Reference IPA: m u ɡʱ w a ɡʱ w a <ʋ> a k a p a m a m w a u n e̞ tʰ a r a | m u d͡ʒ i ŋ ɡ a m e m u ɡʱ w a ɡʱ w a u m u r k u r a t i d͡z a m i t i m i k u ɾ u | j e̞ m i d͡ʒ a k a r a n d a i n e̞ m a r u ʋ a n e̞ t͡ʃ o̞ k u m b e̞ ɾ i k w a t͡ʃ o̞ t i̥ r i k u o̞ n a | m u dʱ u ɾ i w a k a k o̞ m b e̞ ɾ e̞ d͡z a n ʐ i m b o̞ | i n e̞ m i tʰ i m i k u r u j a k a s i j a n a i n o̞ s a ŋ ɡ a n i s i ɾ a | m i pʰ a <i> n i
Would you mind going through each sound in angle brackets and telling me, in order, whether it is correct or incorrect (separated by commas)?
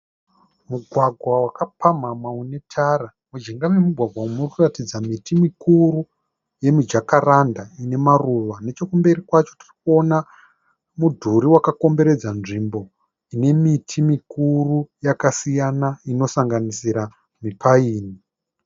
incorrect, incorrect